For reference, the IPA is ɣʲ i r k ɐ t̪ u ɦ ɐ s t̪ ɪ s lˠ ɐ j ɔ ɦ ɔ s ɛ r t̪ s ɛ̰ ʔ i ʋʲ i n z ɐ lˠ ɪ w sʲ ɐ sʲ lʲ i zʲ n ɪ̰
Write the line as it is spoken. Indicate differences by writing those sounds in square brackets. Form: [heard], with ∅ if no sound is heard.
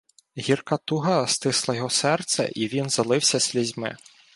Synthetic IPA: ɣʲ i r k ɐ t̪ u ɦ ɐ s t̪ ɪ s lˠ ɐ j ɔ ɦ ɔ s ɛ r t̪ s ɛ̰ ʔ i ʋʲ i n z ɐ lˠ ɪ w sʲ ɐ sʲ lʲ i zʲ [m] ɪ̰